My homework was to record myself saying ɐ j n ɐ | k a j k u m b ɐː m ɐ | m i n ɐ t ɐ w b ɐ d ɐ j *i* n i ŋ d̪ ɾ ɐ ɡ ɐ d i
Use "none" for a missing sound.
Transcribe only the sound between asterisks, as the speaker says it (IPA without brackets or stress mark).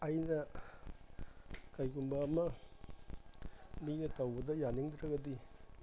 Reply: a